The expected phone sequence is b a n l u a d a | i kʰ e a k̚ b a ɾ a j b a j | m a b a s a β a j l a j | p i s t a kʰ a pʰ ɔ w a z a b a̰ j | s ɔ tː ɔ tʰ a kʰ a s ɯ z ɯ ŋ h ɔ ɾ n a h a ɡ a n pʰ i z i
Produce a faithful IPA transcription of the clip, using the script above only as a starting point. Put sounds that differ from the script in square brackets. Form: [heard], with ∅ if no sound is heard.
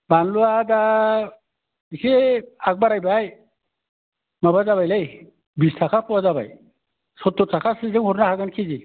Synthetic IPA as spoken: b a n l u a d a | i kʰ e a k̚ b a ɾ a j b a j | m a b a [z] a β a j l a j | [b] i s [tʰ] a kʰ a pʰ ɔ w a z a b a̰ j | s ɔ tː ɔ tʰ a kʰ a s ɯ z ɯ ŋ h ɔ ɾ n a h a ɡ a n [kʰ] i z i

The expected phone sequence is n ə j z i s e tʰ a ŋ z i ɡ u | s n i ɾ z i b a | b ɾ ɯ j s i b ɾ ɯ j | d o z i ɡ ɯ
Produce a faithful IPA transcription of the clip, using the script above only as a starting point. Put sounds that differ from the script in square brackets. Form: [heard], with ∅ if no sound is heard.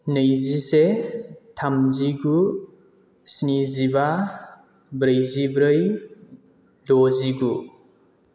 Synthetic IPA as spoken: n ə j z i s e tʰ a [m] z i ɡ u | s n i [∅] z i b a | b ɾ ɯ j [z] i b ɾ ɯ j | d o z i ɡ [u]

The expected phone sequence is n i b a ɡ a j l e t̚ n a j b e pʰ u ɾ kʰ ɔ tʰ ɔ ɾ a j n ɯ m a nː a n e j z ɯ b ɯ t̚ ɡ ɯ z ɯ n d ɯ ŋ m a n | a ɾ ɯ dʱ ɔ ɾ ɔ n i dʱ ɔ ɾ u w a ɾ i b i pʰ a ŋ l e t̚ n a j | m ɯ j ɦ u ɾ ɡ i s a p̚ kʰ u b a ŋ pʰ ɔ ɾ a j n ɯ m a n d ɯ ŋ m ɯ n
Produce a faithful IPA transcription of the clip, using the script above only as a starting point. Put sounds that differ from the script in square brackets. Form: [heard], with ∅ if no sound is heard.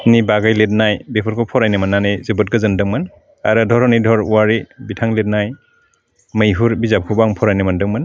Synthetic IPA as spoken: n i b a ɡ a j l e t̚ n a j b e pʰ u ɾ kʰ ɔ [pʰ] ɔ ɾ a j n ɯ m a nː a n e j z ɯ b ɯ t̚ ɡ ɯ z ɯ n d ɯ ŋ m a n | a ɾ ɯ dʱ ɔ ɾ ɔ n i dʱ ɔ ɾ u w a ɾ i b i [tʰ] a ŋ l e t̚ n a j | m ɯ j ɦ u ɾ [b] i [z] a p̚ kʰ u b a ŋ pʰ ɔ ɾ a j n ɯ m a n d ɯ ŋ m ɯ n

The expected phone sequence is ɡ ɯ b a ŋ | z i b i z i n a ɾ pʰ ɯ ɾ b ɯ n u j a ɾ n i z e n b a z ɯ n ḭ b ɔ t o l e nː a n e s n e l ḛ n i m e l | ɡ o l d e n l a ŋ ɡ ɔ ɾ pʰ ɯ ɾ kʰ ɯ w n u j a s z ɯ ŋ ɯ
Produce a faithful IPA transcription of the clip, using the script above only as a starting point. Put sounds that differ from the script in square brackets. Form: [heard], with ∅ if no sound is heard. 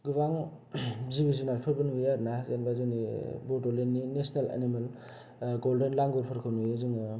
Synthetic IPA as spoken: ɡ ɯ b a ŋ | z i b i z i n a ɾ pʰ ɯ ɾ b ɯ n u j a ɾ n [a] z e n b a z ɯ n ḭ b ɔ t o l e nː [i] n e s n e l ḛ n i m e l | ɡ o l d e n l a ŋ ɡ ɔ ɾ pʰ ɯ ɾ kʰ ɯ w n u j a [∅] z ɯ ŋ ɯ

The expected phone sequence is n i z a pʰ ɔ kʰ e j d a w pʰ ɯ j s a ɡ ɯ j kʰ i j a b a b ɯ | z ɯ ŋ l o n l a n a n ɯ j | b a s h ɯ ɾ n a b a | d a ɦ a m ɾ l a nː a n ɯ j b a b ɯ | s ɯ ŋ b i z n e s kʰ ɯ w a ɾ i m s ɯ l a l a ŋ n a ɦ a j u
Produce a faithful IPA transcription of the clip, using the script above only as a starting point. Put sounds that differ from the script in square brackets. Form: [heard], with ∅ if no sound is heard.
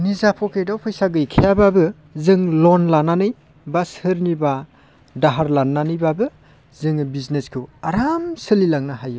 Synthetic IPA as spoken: n i z a pʰ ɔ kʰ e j d a w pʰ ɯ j s a ɡ ɯ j kʰ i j a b a b ɯ | z ɯ ŋ l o n l a n a n ɯ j | b a s h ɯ ɾ n [i] b a | d a ɦ a [∅] ɾ l a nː a n ɯ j b a b ɯ | [z] ɯ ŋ b i z n e s kʰ ɯ w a ɾ [a] m s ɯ l [i] l a ŋ n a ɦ a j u

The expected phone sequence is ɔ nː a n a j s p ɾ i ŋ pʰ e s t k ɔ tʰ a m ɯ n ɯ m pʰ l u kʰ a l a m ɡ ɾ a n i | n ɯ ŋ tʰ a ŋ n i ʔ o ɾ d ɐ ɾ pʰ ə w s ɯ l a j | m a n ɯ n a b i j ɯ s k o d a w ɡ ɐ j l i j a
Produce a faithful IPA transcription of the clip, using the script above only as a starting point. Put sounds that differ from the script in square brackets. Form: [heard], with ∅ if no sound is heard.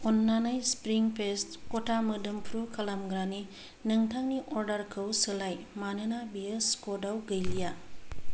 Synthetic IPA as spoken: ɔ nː a n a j s p ɾ i ŋ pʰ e s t k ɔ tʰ a m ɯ [d] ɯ m pʰ [ɾ] u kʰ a l a m ɡ ɾ a n i | n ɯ ŋ tʰ a ŋ n i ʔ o ɾ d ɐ ɾ [kʰ] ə w s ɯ l a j | m a n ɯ n a b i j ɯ s k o d a w ɡ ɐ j l i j a

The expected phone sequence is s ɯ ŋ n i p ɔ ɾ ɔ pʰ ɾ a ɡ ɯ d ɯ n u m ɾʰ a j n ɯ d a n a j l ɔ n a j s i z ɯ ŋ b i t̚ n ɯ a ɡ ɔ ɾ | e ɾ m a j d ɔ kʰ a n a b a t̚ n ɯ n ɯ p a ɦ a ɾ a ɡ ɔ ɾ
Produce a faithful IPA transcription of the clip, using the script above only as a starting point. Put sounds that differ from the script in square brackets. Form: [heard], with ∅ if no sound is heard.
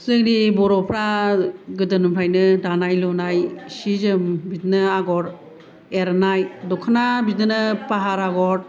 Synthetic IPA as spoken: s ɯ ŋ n i [b] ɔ ɾ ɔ pʰ ɾ a ɡ ɯ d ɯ n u m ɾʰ a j n ɯ d a n a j l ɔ n a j s i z ɯ [m] b i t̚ n ɯ a ɡ ɔ ɾ | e ɾ [n] a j d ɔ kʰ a n a b [i] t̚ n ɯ n ɯ p a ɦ a ɾ a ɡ ɔ ɾ

